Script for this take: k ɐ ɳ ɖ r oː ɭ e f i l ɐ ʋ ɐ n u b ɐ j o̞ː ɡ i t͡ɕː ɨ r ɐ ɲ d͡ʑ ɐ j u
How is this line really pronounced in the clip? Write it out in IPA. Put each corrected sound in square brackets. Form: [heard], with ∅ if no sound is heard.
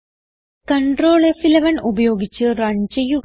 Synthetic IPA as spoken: k ɐ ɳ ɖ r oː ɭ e f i l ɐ ʋ ɐ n u b ɐ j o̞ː ɡ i t͡ɕː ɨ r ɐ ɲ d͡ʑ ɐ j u